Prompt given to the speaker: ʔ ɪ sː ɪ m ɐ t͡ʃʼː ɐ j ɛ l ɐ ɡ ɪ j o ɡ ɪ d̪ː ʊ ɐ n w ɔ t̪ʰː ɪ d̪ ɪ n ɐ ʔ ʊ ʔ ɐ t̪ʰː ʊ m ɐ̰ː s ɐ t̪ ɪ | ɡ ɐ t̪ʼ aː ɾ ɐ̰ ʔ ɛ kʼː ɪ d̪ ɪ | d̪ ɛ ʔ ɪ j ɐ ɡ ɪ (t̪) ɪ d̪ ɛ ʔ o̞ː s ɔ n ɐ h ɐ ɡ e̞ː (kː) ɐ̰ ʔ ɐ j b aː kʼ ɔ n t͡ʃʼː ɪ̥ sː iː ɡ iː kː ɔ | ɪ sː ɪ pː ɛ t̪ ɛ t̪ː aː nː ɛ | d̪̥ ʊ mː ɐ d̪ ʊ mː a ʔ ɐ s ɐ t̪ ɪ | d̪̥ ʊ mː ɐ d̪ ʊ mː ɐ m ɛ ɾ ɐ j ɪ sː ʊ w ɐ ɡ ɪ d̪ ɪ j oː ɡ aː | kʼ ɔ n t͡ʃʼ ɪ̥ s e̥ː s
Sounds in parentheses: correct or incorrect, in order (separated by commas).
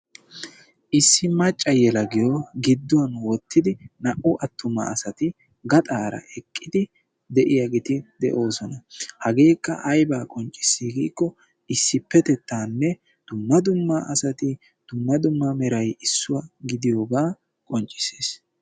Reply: correct, correct